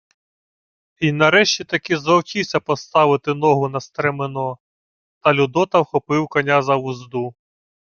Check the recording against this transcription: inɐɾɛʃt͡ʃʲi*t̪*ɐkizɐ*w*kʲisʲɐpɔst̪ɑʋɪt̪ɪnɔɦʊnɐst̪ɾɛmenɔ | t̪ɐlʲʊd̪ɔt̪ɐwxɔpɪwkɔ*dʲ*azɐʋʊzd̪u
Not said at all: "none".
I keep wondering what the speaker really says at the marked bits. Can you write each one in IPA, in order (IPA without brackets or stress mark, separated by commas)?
t̪, w, nʲ